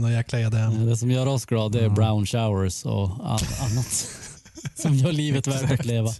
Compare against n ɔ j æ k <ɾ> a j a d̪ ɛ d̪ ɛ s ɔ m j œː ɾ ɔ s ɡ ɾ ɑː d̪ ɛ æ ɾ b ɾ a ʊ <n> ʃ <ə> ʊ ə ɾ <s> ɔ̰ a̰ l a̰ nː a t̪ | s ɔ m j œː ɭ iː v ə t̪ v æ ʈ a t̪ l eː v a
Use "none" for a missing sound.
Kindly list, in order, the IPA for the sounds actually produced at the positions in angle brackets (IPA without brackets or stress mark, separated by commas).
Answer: l, n, a, s